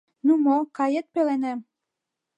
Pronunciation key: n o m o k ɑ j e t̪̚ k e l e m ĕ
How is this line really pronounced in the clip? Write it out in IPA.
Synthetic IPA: n u m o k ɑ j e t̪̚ p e l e n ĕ

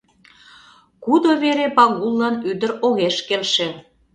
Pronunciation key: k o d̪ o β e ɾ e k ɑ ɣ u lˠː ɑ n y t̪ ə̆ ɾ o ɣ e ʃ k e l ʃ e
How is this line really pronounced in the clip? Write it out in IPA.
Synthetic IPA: k u d̪ o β e ɾ e p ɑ ɣ u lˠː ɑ n y d̪ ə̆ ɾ o ɣ e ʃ k e l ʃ e

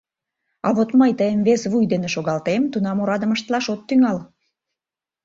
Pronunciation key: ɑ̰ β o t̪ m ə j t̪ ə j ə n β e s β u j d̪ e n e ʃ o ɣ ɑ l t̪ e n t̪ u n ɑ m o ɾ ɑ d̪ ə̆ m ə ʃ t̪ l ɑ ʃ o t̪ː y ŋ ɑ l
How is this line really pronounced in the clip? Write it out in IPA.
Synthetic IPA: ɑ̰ β o t̪ m ə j t̪ ə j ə m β e s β u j d̪ e n e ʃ o ɣ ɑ l t̪ e m t̪ u n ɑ m o ɾ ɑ d̪ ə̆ m ə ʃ t̪ l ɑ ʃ o t̪ː y ŋ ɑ l

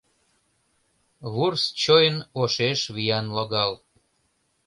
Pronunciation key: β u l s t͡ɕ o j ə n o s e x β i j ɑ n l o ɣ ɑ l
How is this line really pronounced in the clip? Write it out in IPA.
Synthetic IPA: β u r s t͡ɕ o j ə n o ʃ e ʃ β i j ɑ n l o ɣ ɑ l

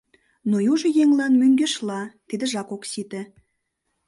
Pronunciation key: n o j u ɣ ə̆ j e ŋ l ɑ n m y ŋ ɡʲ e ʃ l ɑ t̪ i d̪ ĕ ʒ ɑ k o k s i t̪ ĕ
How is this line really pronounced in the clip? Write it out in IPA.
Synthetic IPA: n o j u ʒ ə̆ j e ŋ l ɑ n m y ŋ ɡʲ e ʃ l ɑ t̪ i d̪ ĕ ʒ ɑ k o k s i t̪ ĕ

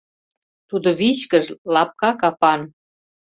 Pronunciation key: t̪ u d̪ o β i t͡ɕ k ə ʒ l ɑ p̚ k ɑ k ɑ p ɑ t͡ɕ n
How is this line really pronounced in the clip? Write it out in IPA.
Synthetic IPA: t̪ u d̪ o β i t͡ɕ k ə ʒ l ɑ p̚ k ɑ k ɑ p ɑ n

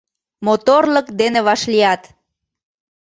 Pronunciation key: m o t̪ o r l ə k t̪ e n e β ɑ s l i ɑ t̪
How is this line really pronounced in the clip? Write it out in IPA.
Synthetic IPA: m o t̪ o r l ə k d̪ e n e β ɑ ʃ l i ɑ t̪

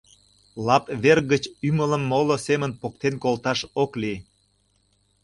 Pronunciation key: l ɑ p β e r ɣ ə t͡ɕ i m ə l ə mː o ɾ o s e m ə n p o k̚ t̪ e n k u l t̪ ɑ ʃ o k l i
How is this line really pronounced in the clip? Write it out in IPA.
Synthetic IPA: l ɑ p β e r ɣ ə t͡ɕ y m ə l ə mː o l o s e m ə n p o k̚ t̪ e n k o l t̪ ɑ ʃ o k l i

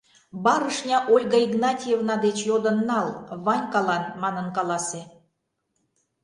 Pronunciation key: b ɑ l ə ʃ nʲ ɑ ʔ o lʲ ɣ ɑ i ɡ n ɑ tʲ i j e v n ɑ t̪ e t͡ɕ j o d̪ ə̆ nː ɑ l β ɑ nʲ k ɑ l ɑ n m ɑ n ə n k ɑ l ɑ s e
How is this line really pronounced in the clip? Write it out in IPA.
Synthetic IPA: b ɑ ɾ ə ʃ nʲ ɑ ʔ o lʲ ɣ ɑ i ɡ n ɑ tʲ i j e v n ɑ d̪ e t͡ɕ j o d̪ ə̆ nː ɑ l β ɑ nʲ k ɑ l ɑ n m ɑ n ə n k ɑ l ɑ s e

